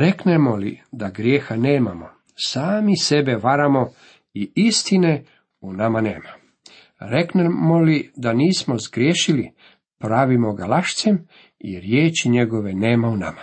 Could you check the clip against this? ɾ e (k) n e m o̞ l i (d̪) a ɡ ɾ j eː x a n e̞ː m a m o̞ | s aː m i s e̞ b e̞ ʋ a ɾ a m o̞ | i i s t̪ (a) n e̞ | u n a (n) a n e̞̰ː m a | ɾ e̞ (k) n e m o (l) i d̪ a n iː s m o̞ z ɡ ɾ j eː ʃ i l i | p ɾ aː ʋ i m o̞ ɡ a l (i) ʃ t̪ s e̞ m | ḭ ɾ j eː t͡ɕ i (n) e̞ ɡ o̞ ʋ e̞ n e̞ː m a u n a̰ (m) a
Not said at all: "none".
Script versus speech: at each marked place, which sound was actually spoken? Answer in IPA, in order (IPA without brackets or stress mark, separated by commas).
k, d̪, i, m, k, l, a, ɲ, m